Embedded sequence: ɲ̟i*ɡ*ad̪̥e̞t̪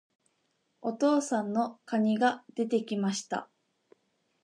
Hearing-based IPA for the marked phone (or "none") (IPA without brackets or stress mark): ɡ